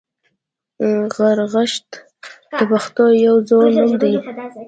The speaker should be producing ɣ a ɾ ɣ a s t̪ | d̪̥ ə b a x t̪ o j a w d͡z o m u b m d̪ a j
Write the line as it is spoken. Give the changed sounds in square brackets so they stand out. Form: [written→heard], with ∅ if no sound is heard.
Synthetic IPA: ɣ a ɾ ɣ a [s→ʃ] t̪ | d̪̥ ə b a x t̪ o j a w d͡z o [m→n] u [b→∅] m d̪ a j